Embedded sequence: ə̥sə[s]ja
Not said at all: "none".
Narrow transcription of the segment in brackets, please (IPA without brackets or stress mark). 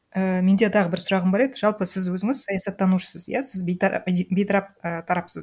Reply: z